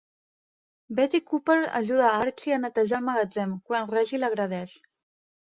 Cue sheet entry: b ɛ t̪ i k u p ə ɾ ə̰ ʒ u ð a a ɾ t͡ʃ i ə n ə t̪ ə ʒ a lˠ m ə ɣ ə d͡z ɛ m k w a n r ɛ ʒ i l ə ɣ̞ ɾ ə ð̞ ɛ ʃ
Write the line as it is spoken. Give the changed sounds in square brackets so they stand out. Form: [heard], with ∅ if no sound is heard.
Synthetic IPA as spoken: b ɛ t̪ i k u p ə ɾ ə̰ ʒ u ð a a ɾ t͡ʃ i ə n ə t̪ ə ʒ a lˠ m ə ɣ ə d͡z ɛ m k w a n r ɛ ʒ i l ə ɣ̞ ɾ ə ð̞ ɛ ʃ